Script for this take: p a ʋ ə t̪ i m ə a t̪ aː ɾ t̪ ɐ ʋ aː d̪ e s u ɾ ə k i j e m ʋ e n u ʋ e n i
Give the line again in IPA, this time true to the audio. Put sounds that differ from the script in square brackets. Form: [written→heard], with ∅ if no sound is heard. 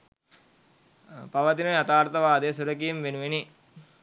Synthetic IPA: p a ʋ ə t̪ i [m→n] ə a t̪ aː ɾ t̪ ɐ ʋ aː d̪ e s u ɾ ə k i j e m ʋ e n u ʋ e n i